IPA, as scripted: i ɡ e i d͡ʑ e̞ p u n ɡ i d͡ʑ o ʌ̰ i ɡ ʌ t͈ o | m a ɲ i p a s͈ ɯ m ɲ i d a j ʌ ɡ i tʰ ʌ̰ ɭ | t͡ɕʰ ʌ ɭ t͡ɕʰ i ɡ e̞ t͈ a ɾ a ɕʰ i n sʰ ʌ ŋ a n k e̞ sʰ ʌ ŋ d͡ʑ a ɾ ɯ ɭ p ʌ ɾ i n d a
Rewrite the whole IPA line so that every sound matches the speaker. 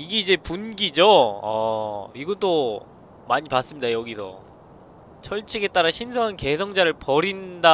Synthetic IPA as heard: i ɡ e i d͡ʑ e̞ p u n ɡ i d͡ʑ o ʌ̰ i ɡ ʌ t͈ o | m a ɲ i p a s͈ ɯ m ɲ i d a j ʌ ɡ i sʰ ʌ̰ | t͡ɕʰ ʌ ɭ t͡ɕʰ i ɡ e̞ t͈ a ɾ a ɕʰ i n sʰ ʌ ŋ a n k e̞ sʰ ʌ ŋ d͡ʑ a ɾ ɯ ɭ p ʌ ɾ i n d a